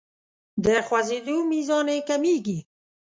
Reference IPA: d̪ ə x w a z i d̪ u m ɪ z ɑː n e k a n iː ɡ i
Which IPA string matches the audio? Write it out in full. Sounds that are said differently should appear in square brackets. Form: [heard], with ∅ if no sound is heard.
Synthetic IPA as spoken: d̪ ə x w a z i d̪ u m [i] z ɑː n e k a [m] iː ɡ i